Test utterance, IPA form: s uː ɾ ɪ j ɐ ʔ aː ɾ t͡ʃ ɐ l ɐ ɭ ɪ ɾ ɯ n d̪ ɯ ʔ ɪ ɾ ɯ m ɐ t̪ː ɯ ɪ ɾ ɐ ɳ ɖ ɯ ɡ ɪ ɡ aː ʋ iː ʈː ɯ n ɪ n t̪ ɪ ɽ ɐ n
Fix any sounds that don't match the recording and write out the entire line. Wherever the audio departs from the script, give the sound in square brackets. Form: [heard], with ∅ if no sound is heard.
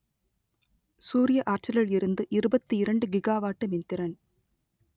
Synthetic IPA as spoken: s uː ɾ ɪ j ɐ ʔ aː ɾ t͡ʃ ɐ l ɐ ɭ ɪ ɾ ɯ n d̪ ɯ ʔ ɪ ɾ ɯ [b] ɐ t̪ː ɯ ɪ ɾ ɐ ɳ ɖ ɯ ɡ ɪ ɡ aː ʋ [aː] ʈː ɯ [m] ɪ n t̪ ɪ [ɾ] ɐ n